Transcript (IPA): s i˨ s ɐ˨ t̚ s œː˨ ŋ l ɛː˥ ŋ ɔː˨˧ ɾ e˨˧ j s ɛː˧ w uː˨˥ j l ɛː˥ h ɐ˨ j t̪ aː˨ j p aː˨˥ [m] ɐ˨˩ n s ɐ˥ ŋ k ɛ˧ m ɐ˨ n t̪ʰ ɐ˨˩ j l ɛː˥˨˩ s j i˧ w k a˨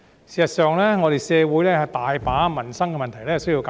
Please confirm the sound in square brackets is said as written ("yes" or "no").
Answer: yes